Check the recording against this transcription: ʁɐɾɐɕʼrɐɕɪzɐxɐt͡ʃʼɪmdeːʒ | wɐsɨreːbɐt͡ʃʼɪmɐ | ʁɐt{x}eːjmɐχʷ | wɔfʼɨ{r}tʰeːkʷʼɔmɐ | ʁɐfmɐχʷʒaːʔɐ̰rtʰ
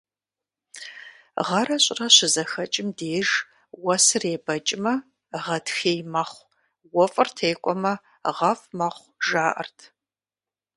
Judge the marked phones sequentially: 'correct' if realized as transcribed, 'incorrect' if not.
correct, correct

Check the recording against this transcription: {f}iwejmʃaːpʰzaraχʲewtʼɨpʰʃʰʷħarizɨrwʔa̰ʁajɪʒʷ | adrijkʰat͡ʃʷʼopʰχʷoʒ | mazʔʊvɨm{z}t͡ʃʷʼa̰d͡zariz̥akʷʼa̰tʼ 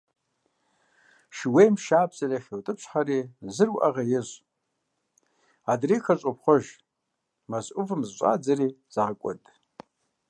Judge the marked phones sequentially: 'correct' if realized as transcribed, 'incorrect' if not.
incorrect: ʃ, correct

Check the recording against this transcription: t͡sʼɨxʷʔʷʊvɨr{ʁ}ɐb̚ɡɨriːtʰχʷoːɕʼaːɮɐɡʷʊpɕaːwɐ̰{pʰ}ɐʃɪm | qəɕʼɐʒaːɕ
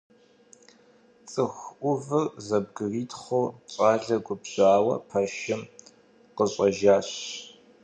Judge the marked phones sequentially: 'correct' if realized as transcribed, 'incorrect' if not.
incorrect: z, correct

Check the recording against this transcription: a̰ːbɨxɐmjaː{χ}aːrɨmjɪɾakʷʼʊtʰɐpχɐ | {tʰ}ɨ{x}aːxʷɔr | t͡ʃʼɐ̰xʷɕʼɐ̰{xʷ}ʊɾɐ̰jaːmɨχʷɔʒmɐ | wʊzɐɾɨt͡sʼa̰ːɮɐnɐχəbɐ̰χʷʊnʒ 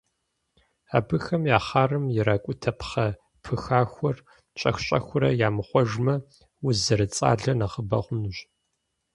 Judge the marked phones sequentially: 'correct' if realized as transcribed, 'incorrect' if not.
correct, incorrect: pʰ, correct, correct

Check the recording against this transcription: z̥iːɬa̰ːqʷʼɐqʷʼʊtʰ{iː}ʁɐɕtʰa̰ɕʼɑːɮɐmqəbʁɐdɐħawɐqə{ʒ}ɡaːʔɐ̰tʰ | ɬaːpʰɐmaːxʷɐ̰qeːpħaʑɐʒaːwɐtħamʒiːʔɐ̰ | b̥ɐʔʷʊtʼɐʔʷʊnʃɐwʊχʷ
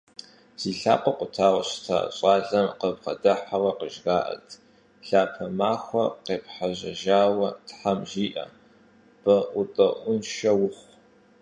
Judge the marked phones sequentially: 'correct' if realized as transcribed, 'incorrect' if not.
incorrect: aː, correct

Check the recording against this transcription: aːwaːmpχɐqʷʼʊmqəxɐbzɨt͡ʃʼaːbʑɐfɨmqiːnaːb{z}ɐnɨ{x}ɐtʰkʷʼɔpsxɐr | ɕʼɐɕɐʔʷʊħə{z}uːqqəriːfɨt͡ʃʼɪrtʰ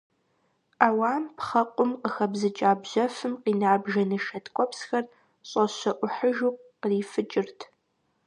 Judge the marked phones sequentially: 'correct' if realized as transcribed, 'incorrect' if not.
incorrect: ʒ, incorrect: ʃ, incorrect: ʒ

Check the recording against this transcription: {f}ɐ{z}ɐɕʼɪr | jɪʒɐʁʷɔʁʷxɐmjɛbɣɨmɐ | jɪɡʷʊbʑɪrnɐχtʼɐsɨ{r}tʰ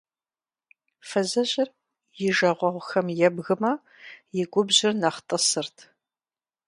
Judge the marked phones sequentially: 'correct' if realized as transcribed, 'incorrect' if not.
correct, correct, correct

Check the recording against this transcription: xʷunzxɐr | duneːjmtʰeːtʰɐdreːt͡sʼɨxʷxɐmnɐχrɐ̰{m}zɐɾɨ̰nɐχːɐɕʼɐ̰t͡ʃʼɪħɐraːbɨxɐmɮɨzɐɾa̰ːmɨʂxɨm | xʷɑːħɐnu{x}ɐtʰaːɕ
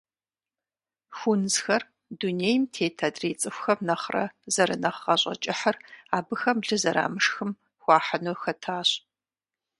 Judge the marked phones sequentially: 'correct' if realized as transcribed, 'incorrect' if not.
incorrect: none, correct

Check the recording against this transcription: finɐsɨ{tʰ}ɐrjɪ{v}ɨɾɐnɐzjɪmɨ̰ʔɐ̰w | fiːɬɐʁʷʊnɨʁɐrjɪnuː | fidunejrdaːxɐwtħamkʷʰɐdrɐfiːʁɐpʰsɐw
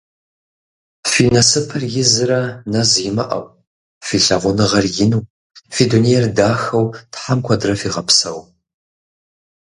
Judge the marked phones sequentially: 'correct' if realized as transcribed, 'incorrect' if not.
incorrect: pʰ, incorrect: z

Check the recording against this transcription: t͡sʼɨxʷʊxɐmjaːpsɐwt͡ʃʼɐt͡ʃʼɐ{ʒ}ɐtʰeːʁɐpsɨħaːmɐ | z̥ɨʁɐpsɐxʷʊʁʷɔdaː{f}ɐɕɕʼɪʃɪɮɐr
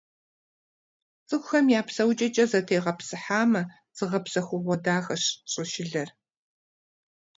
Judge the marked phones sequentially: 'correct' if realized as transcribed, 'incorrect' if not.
incorrect: z, incorrect: x

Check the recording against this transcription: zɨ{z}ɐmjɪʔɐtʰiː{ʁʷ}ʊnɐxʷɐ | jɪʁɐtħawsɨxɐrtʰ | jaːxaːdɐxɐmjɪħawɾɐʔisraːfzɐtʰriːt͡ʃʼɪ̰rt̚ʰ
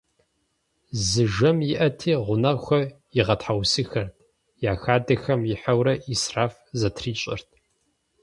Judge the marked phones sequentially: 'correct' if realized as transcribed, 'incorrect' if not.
incorrect: ʒ, correct

